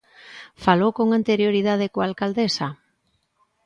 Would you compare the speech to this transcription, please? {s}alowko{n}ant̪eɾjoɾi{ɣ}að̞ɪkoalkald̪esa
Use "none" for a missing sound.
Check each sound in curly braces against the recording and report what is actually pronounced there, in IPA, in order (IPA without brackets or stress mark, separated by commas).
f, ŋ, ð